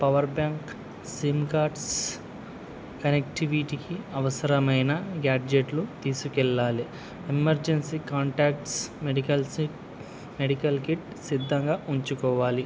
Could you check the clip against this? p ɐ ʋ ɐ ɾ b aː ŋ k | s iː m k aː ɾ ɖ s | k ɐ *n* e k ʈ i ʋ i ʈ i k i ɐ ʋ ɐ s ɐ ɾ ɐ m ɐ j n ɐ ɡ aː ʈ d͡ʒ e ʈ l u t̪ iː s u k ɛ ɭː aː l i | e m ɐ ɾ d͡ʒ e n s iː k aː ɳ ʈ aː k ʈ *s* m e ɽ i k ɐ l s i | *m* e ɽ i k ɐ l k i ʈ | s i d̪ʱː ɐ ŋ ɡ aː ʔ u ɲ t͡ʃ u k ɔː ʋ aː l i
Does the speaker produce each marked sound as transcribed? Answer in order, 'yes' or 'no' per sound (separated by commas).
yes, yes, yes